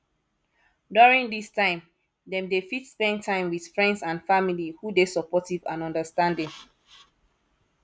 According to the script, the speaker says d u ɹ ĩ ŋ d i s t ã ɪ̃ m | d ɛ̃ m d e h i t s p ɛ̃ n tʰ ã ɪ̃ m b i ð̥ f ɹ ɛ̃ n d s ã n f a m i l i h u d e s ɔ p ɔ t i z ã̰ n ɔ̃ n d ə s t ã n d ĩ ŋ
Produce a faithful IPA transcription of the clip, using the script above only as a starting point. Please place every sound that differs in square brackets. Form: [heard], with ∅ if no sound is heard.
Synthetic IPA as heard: d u ɹ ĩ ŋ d i s t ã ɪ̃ m | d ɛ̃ m d e [f] i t s p ɛ̃ n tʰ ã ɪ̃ m [w] i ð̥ f ɹ ɛ̃ n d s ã n f a m i l i h u d e s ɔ p ɔ t i [v] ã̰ n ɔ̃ n d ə s t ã n d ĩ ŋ